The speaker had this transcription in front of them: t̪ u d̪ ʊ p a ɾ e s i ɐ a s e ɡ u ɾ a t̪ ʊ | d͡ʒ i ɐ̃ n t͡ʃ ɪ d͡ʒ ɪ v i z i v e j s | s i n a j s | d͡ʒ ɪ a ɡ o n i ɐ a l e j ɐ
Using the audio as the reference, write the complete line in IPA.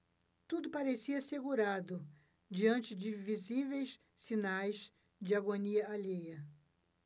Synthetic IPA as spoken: t̪ u d̪ ʊ p a ɾ e s i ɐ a s e ɡ u ɾ a d̪ ʊ | d͡ʒ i ɐ̃ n t͡ʃ ɪ d͡ʒ ɪ v i z i v e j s | s i n a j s | d͡ʒ ɪ a ɡ o n i ɐ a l e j ɐ